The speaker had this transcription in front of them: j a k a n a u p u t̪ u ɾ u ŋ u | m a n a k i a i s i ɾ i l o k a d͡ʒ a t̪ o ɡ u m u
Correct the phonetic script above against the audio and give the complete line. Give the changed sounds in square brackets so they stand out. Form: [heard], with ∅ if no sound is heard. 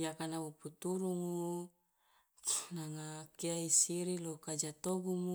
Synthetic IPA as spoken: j a k a n a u p u t̪ u ɾ u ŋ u | [n] a [ŋ] a k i a i s i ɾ i l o k a d͡ʒ a t̪ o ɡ u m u

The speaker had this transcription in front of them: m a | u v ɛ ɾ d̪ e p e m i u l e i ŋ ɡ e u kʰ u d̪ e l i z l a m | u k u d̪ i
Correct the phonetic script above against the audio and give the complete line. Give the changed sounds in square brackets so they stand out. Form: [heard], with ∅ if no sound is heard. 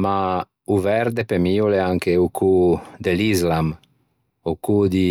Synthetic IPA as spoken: m a | u v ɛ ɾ d̪ e p e m i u l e [a] ŋ [k] e u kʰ u d̪ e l i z l a m | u k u d̪ i

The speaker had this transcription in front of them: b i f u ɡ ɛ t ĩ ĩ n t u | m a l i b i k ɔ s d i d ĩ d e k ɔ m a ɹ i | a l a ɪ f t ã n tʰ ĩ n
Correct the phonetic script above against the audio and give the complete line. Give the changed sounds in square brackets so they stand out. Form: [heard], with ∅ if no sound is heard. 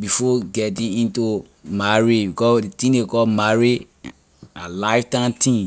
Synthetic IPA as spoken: b i f [ɔ] ɡ ɛ t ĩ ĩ n t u | m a [ɹ] i b i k ɔ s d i [t] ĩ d e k ɔ m a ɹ i | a l a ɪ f t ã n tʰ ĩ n

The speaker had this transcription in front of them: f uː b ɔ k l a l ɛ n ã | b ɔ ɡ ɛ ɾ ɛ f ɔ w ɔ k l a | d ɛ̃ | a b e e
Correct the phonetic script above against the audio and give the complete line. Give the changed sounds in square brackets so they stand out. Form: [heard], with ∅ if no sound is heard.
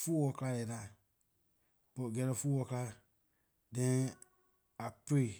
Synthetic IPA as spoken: f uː [w] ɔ k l a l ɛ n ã | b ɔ ɡ ɛ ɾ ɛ f [u] w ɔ k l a | d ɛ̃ | a [p] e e

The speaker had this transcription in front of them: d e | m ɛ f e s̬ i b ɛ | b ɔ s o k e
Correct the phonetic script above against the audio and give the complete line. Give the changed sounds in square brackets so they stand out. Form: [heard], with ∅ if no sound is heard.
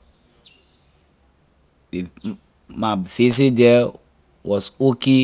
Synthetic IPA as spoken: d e | m [a] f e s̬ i [d] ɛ | [w] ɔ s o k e

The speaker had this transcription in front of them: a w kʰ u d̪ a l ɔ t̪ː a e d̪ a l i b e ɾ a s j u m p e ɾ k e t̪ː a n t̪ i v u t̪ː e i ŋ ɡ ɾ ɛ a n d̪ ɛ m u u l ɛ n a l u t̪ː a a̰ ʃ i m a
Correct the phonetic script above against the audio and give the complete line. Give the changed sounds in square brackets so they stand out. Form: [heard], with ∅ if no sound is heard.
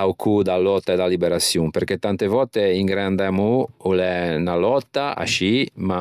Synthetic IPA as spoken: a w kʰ u d̪ a l ɔ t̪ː a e d̪ a l i b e ɾ a s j u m p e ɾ k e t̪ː a n t̪ [e] v [ɔ] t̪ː e i ŋ ɡ ɾ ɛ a n d̪ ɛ m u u l ɛ n a l [ɔ] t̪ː a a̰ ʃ i m a

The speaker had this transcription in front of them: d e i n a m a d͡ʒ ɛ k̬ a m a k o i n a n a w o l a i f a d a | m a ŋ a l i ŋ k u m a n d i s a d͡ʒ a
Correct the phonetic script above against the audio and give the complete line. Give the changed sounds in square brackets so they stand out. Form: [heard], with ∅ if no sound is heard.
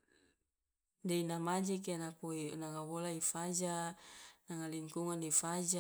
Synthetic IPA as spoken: d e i n a m a d͡ʒ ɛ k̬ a [n] a k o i n a [ŋ] a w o l a i f a [d͡ʒ] a | [n] a ŋ a l i ŋ k u [ŋ] a n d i [f] a d͡ʒ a

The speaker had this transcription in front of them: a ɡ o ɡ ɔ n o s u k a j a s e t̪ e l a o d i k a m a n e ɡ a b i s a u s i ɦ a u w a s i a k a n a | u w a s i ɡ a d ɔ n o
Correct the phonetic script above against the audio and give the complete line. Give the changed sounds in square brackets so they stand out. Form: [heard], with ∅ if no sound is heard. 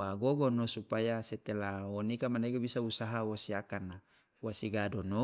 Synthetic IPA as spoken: a ɡ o ɡ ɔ n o s u [p] a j a s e t̪ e l a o [n] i k a m a n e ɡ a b i s a u s [a] ɦ a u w a s i a k a n a | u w a s i ɡ a d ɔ n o

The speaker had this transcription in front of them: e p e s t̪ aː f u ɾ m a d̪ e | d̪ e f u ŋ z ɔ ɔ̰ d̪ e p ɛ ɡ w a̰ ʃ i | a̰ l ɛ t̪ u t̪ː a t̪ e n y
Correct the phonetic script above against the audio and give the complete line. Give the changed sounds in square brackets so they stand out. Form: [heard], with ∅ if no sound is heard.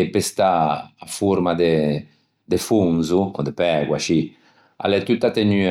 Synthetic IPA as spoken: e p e s t̪ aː f u ɾ m a d̪ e | d̪ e f u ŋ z [u] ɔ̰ d̪ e p ɛ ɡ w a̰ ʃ i | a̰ l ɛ t̪ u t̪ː a t̪ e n y

